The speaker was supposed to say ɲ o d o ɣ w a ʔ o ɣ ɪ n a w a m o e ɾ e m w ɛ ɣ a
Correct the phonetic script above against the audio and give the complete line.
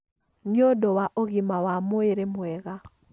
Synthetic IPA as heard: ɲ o d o w a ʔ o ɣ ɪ m a w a m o e ɾ e m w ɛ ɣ a